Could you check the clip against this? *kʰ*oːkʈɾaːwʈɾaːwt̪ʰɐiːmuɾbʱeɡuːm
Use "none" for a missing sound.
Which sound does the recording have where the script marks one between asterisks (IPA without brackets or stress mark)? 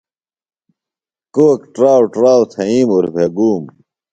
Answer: k